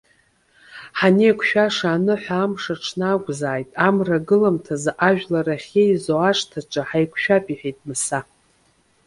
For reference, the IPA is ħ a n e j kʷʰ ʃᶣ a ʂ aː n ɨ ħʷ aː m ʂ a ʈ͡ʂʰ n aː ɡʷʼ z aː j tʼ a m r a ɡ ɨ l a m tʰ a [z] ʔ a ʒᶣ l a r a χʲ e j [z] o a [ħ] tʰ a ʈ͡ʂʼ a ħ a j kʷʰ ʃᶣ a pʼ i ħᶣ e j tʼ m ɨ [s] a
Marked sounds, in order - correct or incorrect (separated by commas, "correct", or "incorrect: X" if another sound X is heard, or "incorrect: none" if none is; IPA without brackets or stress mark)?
correct, correct, incorrect: ʂ, correct